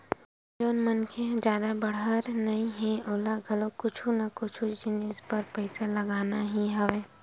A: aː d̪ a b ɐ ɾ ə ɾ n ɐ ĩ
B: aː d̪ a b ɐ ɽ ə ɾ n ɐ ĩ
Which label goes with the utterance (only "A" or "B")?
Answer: B